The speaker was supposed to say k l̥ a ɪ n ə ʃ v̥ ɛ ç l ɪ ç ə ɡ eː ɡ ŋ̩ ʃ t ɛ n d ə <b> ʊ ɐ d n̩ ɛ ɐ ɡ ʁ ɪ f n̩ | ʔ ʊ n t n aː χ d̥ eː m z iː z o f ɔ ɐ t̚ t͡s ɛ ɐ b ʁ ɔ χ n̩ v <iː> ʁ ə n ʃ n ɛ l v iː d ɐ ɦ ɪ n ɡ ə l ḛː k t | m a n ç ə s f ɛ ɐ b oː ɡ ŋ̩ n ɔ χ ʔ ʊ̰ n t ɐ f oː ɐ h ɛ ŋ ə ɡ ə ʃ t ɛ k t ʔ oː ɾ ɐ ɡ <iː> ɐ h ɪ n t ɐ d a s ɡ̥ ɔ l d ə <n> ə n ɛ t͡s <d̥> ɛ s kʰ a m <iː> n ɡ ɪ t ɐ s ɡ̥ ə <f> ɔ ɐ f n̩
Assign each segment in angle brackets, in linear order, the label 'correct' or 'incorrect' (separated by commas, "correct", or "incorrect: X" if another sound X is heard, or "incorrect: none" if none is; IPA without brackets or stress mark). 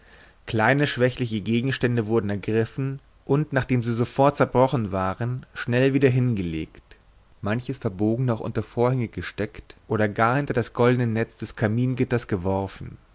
incorrect: v, incorrect: aː, incorrect: aː, correct, correct, correct, incorrect: v